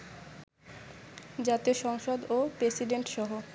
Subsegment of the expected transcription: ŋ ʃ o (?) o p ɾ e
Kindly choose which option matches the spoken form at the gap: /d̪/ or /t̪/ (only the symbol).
d̪